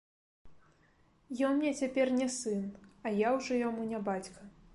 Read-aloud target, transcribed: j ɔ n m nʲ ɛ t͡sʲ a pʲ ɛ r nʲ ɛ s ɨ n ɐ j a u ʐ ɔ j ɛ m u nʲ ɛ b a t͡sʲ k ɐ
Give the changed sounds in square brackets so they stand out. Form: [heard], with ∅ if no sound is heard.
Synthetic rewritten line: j ɔ n m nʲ ɛ t͡sʲ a pʲ ɛ r nʲ ɛ s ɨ n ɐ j a [w] ʐ ɔ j [a] m u nʲ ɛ b a t͡sʲ k ɐ